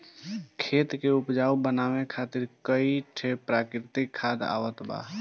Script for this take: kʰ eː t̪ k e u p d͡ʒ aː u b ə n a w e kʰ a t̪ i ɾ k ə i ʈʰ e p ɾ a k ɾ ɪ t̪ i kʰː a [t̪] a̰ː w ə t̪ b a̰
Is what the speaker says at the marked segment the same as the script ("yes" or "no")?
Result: no